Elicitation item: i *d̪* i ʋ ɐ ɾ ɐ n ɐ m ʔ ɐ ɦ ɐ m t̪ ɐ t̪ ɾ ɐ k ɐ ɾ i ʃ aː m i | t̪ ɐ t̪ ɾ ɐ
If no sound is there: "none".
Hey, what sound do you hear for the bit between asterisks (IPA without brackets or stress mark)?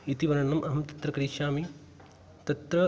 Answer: t̪